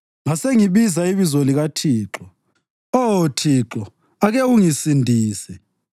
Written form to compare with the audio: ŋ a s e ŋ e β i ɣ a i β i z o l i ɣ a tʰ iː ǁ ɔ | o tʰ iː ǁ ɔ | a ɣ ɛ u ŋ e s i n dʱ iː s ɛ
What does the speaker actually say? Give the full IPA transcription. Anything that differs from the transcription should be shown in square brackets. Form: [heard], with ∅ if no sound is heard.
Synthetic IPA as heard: ŋ a s e ŋ [i] β i [z] a i β i z o l i ɣ a tʰ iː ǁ ɔ | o tʰ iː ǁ ɔ | a ɣ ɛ u ŋ [i] s i n dʱ iː s ɛ